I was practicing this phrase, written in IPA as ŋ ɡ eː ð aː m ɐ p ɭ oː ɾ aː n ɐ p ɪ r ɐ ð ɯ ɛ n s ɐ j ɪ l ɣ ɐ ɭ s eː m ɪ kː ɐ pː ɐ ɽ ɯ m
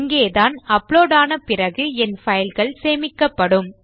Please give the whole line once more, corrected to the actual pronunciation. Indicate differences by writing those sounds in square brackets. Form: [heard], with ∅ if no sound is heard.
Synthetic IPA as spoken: ŋ ɡ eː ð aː [n] ɐ p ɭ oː [ɽ] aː n ɐ p ɪ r ɐ [ɣ] ɯ ɛ n [f] ɐ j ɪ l ɣ ɐ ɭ s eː m ɪ kː ɐ pː ɐ ɽ ɯ m